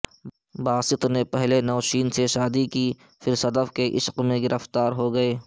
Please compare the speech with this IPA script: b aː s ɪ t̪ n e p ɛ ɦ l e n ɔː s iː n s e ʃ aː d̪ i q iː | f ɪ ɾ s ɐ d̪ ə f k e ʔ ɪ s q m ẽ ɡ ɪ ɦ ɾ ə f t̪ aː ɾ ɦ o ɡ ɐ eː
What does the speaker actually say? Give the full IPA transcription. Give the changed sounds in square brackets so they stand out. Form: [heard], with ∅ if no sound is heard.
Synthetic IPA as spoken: b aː s ɪ t̪ n e p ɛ ɦ l e n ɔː [ʃ] iː n s e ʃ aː d̪ i [k] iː | f ɪ ɾ s ɐ d̪ ə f k e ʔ ɪ [ʃ] q m ẽ ɡ ɪ [∅] ɾ ə f t̪ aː ɾ ɦ o ɡ ɐ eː